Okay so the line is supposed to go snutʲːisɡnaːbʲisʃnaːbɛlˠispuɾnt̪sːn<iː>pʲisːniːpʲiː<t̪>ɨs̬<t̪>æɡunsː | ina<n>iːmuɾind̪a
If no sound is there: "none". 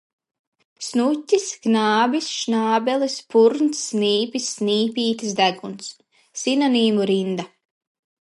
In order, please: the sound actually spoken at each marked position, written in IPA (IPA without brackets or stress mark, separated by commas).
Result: iː, t̪, d̪, n